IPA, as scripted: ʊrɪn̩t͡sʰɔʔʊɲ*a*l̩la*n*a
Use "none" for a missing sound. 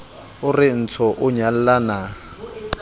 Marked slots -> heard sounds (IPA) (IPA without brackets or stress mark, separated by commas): a, n